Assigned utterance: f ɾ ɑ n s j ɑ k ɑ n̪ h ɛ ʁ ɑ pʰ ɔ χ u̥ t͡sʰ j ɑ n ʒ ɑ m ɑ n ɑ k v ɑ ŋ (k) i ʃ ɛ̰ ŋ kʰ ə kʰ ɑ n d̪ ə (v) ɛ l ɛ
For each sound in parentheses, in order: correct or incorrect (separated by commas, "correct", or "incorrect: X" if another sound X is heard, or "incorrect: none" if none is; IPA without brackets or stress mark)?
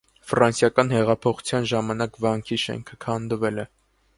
incorrect: kʰ, correct